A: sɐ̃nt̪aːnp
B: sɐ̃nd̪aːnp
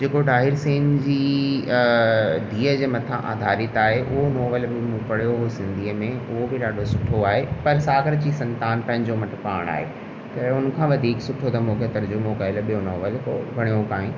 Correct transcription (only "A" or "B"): A